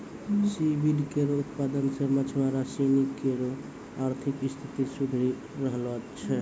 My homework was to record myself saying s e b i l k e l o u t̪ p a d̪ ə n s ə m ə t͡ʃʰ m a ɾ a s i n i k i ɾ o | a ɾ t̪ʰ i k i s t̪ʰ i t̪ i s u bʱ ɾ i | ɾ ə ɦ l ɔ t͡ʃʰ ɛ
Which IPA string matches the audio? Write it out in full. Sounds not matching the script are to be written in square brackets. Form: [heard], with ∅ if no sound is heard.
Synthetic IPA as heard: s [i] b i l k e [ɾ] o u t̪ p a d̪ ə n s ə m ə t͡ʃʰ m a ɾ a s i n i k [e] ɾ o | a ɾ t̪ʰ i k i s t̪ʰ i t̪ i s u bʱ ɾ i | ɾ ə ɦ l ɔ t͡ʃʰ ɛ